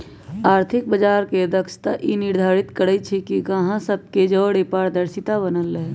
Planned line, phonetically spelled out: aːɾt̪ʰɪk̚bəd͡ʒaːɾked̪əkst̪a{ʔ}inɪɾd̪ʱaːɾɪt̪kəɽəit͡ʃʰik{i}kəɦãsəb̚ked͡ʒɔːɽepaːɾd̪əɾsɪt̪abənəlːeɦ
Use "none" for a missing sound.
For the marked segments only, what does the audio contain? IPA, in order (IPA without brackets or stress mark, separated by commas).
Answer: ʔ, i